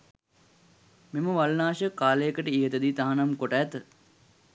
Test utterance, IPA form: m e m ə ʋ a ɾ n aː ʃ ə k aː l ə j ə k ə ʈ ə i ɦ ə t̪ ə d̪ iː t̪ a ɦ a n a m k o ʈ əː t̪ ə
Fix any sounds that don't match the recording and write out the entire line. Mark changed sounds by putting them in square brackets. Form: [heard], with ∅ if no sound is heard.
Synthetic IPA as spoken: m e m ə ʋ a [l] n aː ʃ ə k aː l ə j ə k ə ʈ ə i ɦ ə t̪ ə d̪ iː t̪ a ɦ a n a m k o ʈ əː t̪ ə